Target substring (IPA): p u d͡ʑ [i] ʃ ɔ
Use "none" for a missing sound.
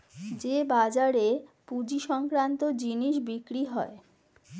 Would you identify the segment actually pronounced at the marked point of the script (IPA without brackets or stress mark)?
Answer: i